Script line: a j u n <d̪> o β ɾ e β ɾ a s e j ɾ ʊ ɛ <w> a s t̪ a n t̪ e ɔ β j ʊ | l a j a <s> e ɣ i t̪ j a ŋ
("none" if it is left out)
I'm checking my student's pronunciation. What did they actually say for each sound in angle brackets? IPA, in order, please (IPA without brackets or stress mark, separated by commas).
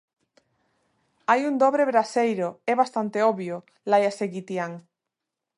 d̪, β, s